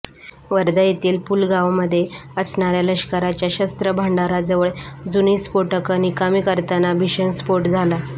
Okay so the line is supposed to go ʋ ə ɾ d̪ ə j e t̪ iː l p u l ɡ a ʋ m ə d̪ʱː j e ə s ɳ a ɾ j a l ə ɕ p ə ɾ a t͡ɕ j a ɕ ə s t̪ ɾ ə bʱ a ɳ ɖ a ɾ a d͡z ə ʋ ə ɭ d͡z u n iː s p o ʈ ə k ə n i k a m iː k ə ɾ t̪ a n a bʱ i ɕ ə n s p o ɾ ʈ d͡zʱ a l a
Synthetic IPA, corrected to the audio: ʋ ə ɾ d̪ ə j e t̪ iː l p u l ɡ a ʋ m ə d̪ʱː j e ə s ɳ a ɾ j a l ə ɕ k ə ɾ a t͡ɕ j a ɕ ə s t̪ ɾ ə bʱ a ɳ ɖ a ɾ a d͡z ə ʋ ə ɭ d͡z u n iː s p o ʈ ə k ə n i k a m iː k ə ɾ t̪ a n a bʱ i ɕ ə n s p o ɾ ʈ d͡zʱ a l a